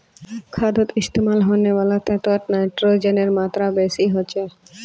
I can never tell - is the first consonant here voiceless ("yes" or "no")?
yes